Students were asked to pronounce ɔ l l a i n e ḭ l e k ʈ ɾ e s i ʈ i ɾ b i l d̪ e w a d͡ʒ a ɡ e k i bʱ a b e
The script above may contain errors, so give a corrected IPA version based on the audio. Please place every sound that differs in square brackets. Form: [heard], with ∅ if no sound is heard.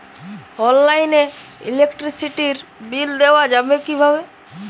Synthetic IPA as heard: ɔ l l a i n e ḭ l e k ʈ ɾ [i] s i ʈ i ɾ b i l d̪ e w a d͡ʒ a [b] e k i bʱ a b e

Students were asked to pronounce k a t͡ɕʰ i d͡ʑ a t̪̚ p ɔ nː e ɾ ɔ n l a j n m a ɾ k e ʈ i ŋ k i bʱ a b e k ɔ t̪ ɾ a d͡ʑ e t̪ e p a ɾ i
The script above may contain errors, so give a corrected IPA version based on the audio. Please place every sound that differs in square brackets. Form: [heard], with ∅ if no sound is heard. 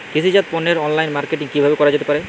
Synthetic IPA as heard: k [i] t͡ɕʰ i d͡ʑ a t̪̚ p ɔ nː e ɾ ɔ n l a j n m a ɾ k e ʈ i ŋ k i bʱ a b e k ɔ [∅] ɾ a d͡ʑ e t̪ e p a ɾ [e]

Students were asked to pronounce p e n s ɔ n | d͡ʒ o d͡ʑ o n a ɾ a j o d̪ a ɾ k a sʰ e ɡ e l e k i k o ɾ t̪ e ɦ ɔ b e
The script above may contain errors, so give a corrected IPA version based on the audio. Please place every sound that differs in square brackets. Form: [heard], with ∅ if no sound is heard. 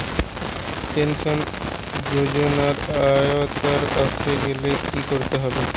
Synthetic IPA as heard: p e n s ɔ n | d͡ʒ o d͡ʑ o n a ɾ a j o [t̪] a ɾ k a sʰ e ɡ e l e k i k o ɾ t̪ e ɦ ɔ b e

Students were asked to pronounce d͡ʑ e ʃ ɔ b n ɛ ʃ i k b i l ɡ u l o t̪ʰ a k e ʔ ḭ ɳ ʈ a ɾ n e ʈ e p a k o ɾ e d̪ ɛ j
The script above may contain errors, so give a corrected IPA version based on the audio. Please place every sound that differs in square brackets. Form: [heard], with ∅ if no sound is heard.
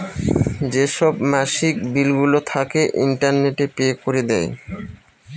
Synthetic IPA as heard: d͡ʑ e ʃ ɔ b [m] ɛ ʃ i k b i l ɡ u l o t̪ʰ a k e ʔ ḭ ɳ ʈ a ɾ n e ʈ e p [e] k o ɾ e d̪ ɛ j

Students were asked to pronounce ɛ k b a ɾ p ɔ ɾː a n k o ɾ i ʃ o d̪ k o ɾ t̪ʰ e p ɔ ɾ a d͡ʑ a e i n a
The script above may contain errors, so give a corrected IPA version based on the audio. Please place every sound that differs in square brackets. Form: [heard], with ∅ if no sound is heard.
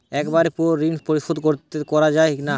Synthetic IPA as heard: ɛ k b a ɾ p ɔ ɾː [i] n [p] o ɾ i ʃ o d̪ k o ɾ [t̪] e [k] ɔ ɾ a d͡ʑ a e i n a

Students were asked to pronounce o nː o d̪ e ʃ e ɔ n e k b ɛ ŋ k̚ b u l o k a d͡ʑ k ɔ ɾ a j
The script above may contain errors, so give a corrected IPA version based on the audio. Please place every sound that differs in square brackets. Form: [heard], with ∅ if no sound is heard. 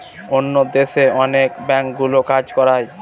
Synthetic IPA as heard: o nː o d̪ e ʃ e ɔ n e k b ɛ ŋ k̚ [ɡ] u l o k a d͡ʑ k ɔ ɾ a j

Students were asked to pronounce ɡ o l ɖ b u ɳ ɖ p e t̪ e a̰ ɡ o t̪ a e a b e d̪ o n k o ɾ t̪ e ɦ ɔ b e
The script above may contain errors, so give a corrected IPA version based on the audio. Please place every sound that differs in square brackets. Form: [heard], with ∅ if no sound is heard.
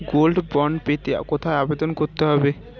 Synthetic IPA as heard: ɡ o l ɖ b [ɔ] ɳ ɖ p e t̪ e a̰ [k] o [t̪ʰ] a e a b e d̪ o n k o ɾ t̪ e ɦ ɔ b e

